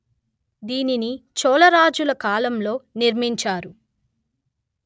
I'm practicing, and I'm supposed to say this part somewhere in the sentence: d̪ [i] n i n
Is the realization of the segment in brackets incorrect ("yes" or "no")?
yes